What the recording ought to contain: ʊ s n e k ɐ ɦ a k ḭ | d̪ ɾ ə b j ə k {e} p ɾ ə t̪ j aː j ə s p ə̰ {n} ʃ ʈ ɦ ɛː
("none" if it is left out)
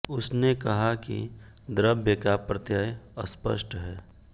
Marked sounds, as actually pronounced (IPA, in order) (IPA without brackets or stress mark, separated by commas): a, none